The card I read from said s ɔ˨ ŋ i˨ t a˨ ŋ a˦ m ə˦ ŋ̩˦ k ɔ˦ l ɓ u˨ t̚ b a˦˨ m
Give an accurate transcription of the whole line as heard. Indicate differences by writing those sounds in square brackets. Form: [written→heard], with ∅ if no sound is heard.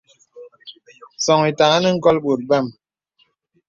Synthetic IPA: s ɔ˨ ŋ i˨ t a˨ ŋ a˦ [m→n] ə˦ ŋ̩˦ k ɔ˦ l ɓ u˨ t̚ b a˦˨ m